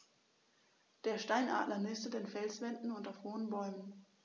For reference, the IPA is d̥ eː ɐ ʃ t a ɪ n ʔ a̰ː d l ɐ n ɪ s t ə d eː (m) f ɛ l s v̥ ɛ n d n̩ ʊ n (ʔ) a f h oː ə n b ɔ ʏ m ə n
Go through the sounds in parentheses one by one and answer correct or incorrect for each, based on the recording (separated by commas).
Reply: incorrect, incorrect